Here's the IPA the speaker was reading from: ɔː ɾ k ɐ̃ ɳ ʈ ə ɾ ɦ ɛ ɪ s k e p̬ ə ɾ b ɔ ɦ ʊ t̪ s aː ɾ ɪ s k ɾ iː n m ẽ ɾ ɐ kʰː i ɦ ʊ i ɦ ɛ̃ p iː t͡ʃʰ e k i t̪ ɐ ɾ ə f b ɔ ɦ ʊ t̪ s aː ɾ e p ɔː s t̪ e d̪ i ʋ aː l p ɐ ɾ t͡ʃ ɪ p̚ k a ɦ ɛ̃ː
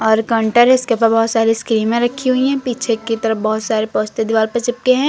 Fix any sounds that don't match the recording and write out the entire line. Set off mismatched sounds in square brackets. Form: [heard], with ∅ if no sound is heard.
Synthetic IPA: ɔː ɾ k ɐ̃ ɳ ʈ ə ɾ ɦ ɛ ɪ s k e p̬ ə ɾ b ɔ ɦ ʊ t̪ s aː ɾ [i] s k ɾ iː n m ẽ ɾ ɐ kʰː i ɦ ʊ i ɦ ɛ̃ p iː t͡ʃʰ e k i t̪ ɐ ɾ ə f b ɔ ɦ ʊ t̪ s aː ɾ e p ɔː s t̪ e d̪ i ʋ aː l p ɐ ɾ t͡ʃ ɪ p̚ k [e] ɦ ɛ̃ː